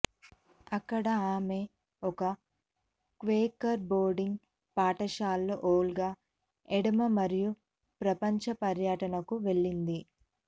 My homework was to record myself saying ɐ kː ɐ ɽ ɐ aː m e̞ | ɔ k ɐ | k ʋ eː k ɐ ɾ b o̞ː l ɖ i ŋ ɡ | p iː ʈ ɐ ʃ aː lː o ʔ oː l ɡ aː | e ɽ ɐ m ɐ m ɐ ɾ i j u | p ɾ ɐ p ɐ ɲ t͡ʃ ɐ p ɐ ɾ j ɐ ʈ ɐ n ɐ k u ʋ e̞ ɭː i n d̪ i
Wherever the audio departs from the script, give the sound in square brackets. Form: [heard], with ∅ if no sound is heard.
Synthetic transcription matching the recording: ɐ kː ɐ ɽ ɐ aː m e̞ | ɔ k ɐ | k ʋ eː k ɐ ɾ b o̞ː [ɾ] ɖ i ŋ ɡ | p [aː] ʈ ɐ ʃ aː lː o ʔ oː l ɡ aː | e ɽ ɐ m ɐ m ɐ ɾ i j u | p ɾ ɐ p ɐ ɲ t͡ʃ ɐ p ɐ ɾ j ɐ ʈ ɐ n ɐ k u ʋ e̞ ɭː i n d̪ i